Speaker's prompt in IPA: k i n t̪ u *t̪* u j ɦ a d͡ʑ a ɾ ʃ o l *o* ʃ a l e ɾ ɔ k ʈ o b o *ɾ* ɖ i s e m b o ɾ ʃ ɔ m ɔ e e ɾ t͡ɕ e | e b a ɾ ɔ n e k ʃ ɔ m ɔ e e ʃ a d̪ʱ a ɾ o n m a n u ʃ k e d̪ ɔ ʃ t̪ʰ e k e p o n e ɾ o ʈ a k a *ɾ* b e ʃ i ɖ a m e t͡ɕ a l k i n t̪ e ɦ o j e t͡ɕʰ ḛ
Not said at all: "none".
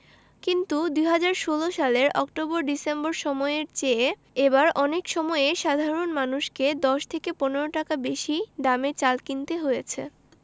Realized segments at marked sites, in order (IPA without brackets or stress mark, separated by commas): d̪, o, ɾ, none